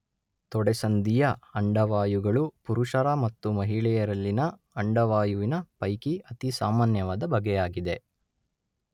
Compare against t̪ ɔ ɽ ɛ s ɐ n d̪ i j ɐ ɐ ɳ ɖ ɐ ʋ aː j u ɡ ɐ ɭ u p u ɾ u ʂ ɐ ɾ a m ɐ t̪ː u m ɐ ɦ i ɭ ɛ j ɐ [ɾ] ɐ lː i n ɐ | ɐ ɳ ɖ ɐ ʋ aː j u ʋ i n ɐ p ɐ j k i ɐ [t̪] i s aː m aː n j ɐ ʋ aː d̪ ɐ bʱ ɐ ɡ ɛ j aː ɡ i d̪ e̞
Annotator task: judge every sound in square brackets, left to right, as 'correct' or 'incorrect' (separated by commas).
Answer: correct, correct